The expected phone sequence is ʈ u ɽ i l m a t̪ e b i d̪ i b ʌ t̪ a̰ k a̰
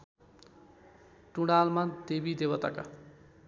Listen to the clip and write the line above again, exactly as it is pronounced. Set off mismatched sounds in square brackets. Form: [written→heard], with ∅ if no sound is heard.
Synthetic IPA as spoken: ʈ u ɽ [i→a] l m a [t̪→d̪] e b i d̪ [i→e] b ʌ t̪ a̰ k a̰